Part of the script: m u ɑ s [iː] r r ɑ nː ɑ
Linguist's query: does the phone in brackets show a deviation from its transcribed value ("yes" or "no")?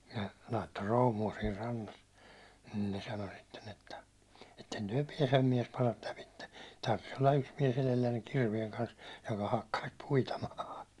no